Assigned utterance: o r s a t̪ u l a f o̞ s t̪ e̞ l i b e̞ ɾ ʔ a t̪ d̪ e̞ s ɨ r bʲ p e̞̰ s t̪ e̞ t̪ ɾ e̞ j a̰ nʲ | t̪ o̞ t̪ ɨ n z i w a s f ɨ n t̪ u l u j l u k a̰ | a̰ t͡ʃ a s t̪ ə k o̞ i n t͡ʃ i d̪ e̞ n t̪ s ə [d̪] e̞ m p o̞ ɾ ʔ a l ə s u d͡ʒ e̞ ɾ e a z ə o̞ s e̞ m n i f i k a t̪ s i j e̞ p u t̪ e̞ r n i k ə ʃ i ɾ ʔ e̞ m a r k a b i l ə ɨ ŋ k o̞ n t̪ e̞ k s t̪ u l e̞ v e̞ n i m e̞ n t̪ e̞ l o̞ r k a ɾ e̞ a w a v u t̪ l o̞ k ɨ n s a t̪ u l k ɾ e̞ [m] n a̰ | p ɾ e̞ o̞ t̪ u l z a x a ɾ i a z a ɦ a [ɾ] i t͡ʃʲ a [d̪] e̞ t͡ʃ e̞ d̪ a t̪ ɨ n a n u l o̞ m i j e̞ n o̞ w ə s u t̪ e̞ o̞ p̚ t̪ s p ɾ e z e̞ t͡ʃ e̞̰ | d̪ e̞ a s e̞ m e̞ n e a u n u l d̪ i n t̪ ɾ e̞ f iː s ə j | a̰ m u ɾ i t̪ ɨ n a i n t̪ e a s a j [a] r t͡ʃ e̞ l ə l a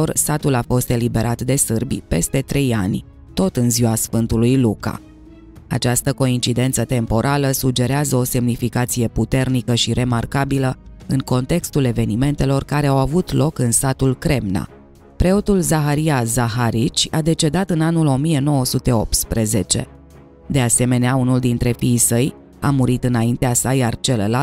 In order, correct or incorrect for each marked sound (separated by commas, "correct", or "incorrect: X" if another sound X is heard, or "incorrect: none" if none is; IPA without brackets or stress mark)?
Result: incorrect: t̪, correct, correct, correct, correct